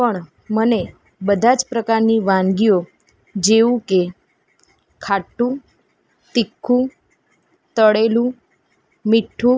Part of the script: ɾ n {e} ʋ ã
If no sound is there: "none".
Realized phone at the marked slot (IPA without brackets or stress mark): i